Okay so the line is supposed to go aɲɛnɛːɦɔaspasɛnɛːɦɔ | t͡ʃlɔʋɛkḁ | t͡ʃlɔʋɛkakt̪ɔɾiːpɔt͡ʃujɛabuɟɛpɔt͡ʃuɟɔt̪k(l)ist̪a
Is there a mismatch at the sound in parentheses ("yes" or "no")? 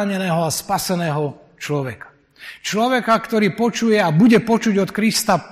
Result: yes